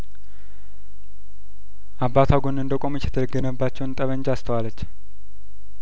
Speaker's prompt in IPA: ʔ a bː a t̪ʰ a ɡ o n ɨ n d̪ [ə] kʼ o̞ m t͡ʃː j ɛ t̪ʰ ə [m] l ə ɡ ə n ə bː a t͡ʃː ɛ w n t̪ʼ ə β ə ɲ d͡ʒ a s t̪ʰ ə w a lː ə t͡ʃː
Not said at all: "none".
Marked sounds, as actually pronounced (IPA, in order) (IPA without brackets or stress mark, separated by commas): ə, none